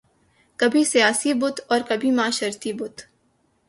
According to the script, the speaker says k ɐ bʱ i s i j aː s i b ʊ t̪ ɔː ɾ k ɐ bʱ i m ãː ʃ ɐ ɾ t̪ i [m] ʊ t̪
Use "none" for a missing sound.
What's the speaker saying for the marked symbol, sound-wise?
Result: b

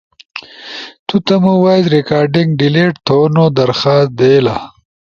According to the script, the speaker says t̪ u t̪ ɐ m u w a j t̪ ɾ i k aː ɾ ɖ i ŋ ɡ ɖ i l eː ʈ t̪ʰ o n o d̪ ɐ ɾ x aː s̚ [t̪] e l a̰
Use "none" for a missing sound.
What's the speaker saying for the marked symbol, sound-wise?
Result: d̪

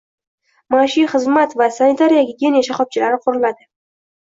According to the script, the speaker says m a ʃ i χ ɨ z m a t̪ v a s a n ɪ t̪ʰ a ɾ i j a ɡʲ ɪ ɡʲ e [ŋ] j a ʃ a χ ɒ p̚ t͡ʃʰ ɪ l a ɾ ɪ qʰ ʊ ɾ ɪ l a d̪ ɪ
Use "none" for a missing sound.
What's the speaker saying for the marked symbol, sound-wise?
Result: n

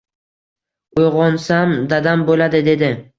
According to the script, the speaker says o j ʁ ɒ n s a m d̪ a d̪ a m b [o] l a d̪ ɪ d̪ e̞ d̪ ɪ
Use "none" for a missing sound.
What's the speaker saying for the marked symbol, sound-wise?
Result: o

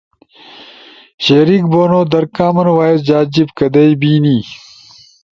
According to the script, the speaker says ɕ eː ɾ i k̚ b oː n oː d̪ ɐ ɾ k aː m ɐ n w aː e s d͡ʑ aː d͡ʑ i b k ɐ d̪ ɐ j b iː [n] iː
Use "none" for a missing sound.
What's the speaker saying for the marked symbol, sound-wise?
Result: n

